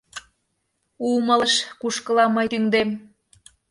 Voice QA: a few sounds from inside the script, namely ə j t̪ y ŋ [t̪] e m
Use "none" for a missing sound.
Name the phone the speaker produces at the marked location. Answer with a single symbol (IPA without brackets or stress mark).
d̪